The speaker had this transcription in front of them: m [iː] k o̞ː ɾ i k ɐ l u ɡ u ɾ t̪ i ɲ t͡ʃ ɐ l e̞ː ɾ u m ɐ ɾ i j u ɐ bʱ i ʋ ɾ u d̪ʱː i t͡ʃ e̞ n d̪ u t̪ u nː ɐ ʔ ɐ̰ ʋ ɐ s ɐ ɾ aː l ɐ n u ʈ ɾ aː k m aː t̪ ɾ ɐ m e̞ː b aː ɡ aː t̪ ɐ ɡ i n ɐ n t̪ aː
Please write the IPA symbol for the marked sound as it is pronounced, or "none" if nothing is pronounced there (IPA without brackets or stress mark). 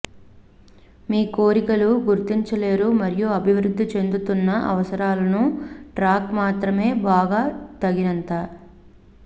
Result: iː